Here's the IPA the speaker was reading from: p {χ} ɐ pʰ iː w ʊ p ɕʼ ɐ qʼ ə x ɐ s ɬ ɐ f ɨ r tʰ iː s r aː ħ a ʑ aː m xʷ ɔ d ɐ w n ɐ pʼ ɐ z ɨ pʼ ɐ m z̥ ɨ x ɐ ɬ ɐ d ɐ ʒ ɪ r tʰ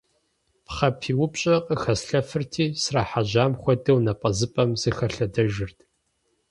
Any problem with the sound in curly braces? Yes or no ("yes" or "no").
no